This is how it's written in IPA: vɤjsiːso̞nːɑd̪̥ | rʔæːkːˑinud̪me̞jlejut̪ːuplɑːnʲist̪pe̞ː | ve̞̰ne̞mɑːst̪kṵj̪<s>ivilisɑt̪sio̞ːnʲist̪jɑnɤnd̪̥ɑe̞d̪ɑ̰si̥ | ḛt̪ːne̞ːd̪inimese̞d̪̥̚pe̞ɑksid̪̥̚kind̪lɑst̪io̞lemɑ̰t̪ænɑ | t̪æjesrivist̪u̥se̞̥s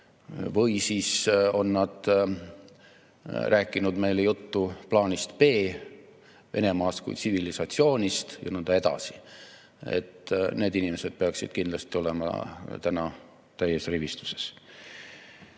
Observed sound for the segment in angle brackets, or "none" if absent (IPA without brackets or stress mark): s